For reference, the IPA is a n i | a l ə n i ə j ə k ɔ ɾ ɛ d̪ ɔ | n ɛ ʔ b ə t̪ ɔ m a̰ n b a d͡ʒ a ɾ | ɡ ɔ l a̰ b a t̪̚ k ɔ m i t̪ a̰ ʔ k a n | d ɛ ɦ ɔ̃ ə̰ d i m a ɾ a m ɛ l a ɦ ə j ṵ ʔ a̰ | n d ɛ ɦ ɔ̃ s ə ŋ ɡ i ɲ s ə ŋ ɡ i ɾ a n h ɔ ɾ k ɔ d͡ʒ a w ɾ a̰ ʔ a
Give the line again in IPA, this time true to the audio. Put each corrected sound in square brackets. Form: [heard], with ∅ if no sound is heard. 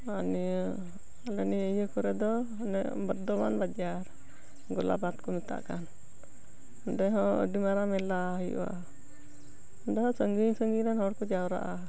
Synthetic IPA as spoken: a n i | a l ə n i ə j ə k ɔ ɾ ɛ d̪ ɔ | n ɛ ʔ b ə [d̪] ɔ m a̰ n b a d͡ʒ a ɾ | ɡ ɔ l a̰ b a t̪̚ k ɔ m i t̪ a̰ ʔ k a n | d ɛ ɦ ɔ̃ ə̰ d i m a ɾ a m ɛ l a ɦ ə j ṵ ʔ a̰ | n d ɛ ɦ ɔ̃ s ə ŋ ɡ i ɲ s ə ŋ ɡ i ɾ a n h ɔ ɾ k ɔ d͡ʒ a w ɾ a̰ ʔ a